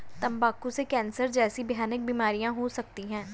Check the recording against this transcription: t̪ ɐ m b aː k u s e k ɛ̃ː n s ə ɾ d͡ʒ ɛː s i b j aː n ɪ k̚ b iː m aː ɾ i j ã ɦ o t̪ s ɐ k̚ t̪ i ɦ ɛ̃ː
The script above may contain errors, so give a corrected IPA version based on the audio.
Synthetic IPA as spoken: t̪ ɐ m b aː k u s e k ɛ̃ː n s ə ɾ d͡ʒ ɛː s i b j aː n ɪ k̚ b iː m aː ɾ i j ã ɦ o s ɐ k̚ t̪ i ɦ ɛ̃ː

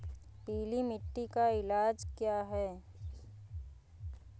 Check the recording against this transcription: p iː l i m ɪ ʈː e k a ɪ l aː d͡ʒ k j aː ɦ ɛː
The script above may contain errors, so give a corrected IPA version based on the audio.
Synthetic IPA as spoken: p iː l i m ɪ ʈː i k a ɪ l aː d͡ʒ k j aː ɦ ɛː

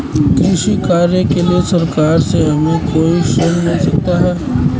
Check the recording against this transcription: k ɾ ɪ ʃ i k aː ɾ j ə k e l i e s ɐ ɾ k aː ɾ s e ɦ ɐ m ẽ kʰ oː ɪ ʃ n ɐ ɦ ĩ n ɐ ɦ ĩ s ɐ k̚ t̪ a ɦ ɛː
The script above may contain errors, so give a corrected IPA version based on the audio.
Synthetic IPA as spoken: k ɾ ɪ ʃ i k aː ɾ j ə k e l i e s ɐ ɾ k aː ɾ s e ɦ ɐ m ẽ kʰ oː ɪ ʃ n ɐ ɦ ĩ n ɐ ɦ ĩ s ɐ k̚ t̪ a ɦ ɛː

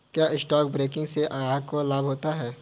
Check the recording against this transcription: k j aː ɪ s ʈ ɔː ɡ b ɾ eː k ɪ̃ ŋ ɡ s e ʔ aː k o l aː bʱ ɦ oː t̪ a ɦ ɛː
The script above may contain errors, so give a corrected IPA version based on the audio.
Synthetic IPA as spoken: k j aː ɪ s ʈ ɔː k b ɾ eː k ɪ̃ ŋ ɡ s e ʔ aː k o l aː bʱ ɦ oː t̪ a ɦ ɛː

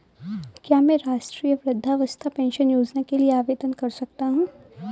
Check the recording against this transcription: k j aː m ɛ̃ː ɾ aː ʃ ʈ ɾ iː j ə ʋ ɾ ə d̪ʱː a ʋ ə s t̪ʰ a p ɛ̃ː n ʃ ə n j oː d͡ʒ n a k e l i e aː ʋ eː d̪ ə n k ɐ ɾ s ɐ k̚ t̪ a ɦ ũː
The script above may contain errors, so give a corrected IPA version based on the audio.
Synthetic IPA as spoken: k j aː m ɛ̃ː ɾ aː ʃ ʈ ɾ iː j ə ʋ ɾ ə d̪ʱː a ʋ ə s t̪ʰ a p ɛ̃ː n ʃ ə n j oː d͡ʒ n a k e l i e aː ʋ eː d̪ ə n k ɐ ɾ s ɐ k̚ t̪ a ɦ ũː

